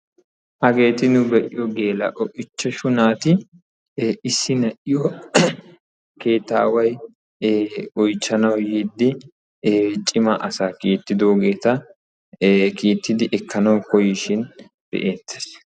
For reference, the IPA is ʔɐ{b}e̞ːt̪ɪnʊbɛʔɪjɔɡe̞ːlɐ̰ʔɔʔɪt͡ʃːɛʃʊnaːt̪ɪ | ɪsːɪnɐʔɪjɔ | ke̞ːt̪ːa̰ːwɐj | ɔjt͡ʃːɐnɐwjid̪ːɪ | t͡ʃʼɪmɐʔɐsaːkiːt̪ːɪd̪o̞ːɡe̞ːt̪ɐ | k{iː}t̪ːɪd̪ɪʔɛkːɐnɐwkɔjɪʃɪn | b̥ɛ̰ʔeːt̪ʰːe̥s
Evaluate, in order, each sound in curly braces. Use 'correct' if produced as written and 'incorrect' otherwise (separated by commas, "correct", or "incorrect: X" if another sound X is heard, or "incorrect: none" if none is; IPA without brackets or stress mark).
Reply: incorrect: ɡ, correct